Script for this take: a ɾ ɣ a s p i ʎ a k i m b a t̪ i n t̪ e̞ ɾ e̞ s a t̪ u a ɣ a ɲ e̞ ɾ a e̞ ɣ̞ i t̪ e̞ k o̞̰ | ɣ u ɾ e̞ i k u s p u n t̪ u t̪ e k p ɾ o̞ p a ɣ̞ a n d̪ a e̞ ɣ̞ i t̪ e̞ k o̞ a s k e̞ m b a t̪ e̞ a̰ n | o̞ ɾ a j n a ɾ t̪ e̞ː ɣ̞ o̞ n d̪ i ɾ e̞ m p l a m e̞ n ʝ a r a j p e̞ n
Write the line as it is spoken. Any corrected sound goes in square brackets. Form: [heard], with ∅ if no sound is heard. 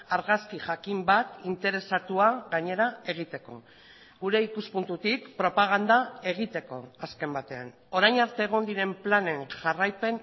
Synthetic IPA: a ɾ ɣ a s [k] i [ʝ] a k i m b a t̪ i n t̪ e̞ ɾ e̞ s a t̪ u a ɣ a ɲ e̞ ɾ a e̞ ɣ̞ i t̪ e̞ k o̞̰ | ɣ u ɾ e̞ i k u s p u n t̪ u t̪ [i] k p ɾ o̞ p a ɣ̞ a n d̪ a e̞ ɣ̞ i t̪ e̞ k o̞ a s k e̞ m b a t̪ e̞ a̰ n | o̞ ɾ a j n a ɾ t̪ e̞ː ɣ̞ o̞ n d̪ i ɾ e̞ m p l a [n] e̞ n ʝ a r a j p e̞ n